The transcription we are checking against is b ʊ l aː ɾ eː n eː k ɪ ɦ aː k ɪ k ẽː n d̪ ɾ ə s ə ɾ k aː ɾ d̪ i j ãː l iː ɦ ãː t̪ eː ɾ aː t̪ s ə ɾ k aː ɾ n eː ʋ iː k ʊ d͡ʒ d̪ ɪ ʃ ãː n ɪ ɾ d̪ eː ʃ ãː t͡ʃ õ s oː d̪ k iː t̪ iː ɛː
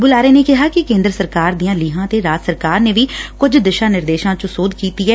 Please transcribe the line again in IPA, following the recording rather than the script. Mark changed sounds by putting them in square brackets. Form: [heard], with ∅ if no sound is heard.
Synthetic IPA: b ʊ l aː ɾ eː n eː k ɪ ɦ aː k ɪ k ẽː n d̪ ɾ ə s ə ɾ k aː ɾ d̪ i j ãː l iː ɦ ãː t̪ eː ɾ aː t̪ s ə ɾ k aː ɾ n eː ʋ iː k ʊ d͡ʒ d̪ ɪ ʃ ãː n ɪ ɾ d̪ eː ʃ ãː t͡ʃ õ s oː d̪ k iː t̪ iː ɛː